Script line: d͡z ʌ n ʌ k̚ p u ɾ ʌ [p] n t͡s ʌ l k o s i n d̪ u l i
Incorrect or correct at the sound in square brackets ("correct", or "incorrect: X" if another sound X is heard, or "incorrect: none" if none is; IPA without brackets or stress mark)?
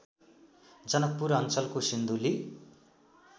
incorrect: none